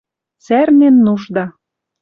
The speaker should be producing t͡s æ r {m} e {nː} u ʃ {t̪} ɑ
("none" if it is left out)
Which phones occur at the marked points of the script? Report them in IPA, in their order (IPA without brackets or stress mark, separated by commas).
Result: n, nː, d̪